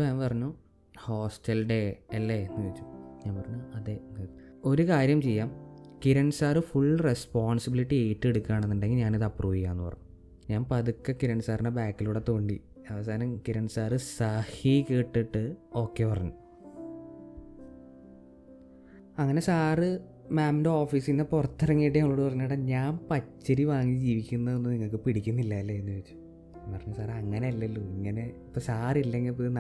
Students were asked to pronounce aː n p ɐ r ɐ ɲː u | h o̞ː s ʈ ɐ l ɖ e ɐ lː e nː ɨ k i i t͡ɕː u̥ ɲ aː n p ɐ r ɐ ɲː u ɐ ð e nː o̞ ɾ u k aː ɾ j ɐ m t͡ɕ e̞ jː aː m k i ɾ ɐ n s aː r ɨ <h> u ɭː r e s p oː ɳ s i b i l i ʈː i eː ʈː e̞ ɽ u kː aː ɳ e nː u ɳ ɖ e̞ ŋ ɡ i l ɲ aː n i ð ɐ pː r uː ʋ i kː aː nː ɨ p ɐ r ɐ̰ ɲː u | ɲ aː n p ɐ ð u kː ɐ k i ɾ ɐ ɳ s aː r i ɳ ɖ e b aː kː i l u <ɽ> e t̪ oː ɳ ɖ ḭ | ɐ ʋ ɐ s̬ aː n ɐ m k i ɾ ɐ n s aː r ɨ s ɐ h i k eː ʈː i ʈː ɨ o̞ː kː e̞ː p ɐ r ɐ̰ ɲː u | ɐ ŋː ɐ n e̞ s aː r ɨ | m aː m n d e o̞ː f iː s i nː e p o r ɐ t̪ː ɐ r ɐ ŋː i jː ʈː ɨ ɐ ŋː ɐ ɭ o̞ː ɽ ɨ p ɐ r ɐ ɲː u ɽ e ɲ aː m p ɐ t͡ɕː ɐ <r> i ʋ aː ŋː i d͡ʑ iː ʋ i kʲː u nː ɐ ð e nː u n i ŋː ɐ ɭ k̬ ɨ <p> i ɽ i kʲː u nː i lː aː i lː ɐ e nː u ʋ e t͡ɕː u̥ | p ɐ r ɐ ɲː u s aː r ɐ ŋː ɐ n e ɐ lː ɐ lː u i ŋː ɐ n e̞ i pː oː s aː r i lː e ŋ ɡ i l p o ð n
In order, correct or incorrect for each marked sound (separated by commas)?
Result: incorrect, correct, incorrect, correct